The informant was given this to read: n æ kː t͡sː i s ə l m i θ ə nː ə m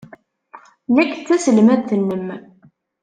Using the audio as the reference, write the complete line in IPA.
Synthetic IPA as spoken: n æ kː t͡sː æ s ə l m æ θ ə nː ə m